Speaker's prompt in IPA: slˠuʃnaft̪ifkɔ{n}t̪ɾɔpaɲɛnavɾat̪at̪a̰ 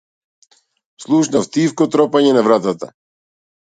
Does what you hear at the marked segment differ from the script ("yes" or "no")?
yes